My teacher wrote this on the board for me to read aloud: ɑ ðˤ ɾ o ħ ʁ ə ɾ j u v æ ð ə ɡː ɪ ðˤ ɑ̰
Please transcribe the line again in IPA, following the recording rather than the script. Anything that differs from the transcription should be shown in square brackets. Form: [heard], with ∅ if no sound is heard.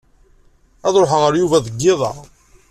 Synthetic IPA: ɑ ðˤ ɾ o ħ ʁ ə ɾ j u v æ ð ə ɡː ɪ ðˤ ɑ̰